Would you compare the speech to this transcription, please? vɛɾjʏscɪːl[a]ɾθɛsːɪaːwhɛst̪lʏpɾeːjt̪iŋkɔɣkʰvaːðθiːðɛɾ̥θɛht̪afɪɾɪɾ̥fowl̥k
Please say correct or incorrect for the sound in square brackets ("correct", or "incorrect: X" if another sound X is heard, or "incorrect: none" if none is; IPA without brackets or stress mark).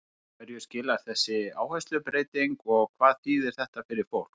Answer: correct